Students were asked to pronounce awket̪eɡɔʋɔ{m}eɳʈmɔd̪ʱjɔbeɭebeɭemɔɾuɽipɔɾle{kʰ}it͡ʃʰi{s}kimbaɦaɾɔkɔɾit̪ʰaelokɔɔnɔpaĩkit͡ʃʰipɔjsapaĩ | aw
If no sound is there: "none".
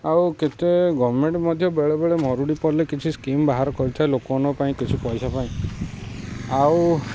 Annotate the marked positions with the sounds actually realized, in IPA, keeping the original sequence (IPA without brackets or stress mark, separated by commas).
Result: m, k, s